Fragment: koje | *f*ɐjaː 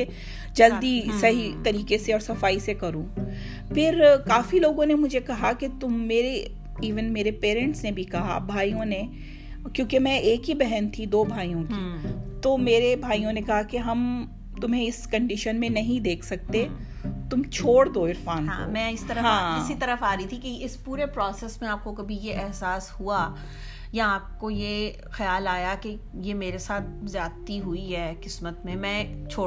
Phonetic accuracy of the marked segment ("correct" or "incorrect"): incorrect